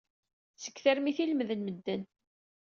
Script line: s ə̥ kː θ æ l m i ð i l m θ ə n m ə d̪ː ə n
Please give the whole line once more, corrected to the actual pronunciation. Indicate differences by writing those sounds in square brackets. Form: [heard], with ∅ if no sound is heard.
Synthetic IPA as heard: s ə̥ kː θ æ [ɾ] m i [θ] i l m [ð] ə n m ə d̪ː ə n